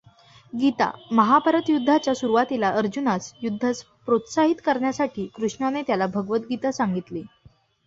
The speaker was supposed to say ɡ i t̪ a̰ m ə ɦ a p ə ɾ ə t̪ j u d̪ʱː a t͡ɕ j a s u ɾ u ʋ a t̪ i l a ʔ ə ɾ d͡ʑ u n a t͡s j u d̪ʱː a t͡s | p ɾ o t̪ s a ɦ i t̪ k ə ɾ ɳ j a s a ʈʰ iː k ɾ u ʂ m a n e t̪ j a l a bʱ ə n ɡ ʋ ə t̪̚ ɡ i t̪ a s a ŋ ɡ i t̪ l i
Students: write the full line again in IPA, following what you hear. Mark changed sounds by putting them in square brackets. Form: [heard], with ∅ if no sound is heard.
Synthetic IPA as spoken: ɡ i t̪ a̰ m ə ɦ a p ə ɾ ə t̪ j u d̪ʱː a t͡ɕ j a s u ɾ u ʋ a t̪ i l a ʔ ə ɾ d͡ʑ u n a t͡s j u d̪ʱː a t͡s | p ɾ o t̪ s a ɦ i t̪ k ə ɾ ɳ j a s a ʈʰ iː k ɾ u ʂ [ɳ] a n e t̪ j a l a bʱ ə [∅] ɡ ʋ ə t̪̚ ɡ i t̪ a s a ŋ ɡ i t̪ l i